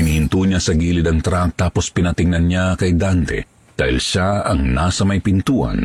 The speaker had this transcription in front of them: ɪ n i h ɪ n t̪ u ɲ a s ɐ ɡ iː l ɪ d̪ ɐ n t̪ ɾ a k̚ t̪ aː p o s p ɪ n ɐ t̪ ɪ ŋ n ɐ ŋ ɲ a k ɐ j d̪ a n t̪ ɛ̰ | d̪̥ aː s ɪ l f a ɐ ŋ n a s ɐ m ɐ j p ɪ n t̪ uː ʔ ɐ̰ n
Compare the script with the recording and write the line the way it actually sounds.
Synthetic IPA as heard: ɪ n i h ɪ n t̪ u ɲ a s ɐ ɡ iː l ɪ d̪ ɐ ŋ t̪ ɾ a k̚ t̪ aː p o s p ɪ n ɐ t̪ ɪ ŋ n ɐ n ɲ a k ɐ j d̪ a n t̪ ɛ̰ | d̪̥ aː h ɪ l ʃ a ɐ ŋ n a s ɐ m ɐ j p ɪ n t̪ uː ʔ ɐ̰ n